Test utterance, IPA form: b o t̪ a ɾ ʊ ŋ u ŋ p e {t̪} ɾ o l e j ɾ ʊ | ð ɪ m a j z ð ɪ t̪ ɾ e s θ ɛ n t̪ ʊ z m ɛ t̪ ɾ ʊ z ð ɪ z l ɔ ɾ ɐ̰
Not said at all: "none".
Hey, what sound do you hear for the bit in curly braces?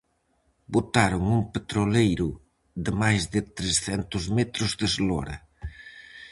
t̪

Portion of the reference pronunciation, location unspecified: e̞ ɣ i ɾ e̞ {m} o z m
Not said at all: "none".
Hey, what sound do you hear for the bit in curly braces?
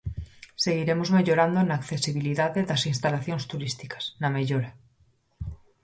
m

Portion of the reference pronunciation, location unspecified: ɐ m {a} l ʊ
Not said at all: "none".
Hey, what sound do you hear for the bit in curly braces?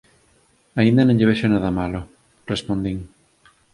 a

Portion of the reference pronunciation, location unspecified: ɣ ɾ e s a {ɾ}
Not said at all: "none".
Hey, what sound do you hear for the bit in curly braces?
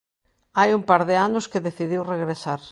ɾ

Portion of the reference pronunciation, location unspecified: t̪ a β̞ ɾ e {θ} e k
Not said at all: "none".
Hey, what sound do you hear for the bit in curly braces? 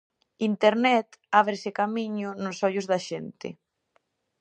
s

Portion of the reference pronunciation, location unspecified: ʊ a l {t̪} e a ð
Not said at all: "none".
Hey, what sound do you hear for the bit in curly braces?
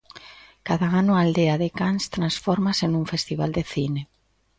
d̪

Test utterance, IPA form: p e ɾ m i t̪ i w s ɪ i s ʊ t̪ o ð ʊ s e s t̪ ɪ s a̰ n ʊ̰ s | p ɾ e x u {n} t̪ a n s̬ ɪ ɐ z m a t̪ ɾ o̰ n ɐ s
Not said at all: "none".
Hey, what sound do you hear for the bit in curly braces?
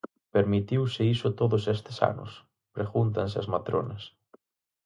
n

